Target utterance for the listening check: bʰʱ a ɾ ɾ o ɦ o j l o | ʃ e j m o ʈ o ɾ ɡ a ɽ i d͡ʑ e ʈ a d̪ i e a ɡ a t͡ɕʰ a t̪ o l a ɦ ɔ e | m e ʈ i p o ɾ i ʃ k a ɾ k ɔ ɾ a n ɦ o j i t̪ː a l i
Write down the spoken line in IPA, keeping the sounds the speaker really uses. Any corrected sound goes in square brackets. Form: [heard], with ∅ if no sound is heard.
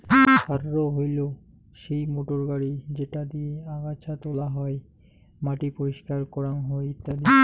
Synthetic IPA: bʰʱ a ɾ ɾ o ɦ o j l o | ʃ e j m o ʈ o ɾ ɡ a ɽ i d͡ʑ e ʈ a d̪ i e a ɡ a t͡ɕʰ a t̪ o l a ɦ ɔ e | m [a] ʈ i p o ɾ i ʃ k a ɾ k ɔ ɾ a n ɦ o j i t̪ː a l i